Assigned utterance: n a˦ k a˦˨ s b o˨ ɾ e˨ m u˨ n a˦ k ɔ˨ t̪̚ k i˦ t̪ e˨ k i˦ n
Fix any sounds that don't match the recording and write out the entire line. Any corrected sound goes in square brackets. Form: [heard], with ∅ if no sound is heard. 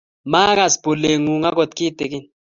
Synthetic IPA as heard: [m] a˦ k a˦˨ s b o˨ [l] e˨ [ŋ] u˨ [ŋ] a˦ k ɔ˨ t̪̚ k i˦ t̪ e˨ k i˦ n